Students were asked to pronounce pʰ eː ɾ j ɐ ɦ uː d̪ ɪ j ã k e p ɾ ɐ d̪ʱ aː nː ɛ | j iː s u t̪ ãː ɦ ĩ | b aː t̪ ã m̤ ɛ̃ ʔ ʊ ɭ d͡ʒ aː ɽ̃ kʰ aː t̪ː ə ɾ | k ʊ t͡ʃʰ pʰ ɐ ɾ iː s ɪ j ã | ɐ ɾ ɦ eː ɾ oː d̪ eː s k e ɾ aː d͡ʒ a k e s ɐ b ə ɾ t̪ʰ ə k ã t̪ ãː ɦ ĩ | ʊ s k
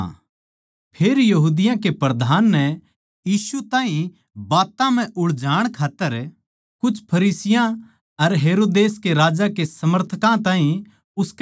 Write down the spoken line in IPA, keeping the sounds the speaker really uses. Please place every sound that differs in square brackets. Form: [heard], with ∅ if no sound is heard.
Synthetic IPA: pʰ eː ɾ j ɐ ɦ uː d̪ ɪ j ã k e p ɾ ɐ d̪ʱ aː nː ɛ | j iː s u t̪ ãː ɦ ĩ | b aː t̪ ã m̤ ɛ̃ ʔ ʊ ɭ d͡ʒ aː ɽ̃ kʰ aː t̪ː ə ɾ | k ʊ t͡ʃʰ pʰ ɐ ɾ iː s ɪ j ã | ɐ ɾ ɦ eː ɾ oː d̪ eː s k e ɾ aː d͡ʒ a k e s ɐ [m] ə ɾ t̪ʰ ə k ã t̪ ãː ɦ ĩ | ʊ s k